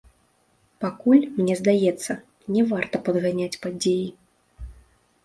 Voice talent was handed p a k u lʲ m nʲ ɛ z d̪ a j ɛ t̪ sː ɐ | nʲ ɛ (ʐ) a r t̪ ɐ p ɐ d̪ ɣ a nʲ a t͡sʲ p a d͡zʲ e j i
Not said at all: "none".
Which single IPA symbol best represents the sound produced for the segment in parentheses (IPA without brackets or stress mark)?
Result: v